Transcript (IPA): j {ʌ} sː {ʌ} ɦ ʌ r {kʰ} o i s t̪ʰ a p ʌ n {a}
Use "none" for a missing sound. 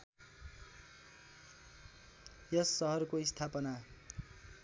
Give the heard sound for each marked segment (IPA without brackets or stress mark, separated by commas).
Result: ʌ, ʌ, k, a